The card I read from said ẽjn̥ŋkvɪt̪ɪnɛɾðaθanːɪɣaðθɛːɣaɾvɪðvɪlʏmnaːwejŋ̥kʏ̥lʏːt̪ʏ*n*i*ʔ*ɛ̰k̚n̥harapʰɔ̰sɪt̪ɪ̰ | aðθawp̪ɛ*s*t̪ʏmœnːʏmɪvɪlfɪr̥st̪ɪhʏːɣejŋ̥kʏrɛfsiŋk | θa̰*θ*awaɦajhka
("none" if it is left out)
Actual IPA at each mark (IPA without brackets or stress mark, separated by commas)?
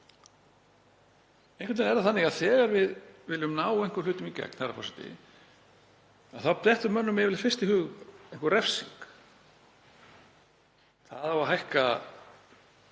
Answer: m, c, h, ð